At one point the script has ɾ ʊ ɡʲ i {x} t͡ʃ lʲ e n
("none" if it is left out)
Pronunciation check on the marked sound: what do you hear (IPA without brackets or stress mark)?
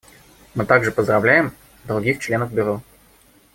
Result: x